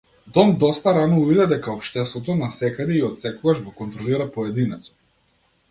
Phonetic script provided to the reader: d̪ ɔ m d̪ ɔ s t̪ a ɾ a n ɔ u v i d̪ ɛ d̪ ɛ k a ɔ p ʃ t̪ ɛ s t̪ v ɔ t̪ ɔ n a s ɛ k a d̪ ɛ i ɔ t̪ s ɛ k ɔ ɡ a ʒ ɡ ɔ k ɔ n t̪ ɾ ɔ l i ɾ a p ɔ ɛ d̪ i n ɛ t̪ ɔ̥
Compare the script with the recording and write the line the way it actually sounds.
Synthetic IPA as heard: d̪ ɔ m d̪ ɔ s t̪ a ɾ a n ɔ u v i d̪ ɛ d̪ ɛ k a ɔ p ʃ t̪ ɛ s t̪ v ɔ t̪ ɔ n a s ɛ k a d̪ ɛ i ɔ t̪ s ɛ k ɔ ɡ a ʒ ɡ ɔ k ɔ n t̪ ɾ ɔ l i ɾ a p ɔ ɛ d̪ i n ɛ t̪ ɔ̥